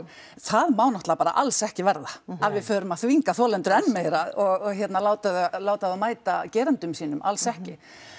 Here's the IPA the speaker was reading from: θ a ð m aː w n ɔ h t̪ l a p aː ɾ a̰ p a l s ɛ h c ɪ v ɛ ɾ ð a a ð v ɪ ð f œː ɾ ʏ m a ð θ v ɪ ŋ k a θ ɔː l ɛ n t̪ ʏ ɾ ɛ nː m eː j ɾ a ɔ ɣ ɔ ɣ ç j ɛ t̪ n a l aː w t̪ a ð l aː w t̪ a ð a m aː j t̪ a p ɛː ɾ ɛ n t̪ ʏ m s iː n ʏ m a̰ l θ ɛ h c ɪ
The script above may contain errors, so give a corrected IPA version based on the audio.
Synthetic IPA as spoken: θ a ð m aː w n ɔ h t̪ l a p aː ɾ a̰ ʔ a l s ɛ h c ɪ v ɛ ɾ ð a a ð v ɪ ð f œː ɾ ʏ m a ð θ v i ŋ k a θ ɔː l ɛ n t̪ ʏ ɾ ɛ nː m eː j ɾ a ɔ ɣ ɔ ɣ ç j ɛ t̪ n a l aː w t̪ a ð l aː w t̪ a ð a m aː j t̪ a c ɛː ɾ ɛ n t̪ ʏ m s iː n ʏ m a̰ l s ɛ h c ɪ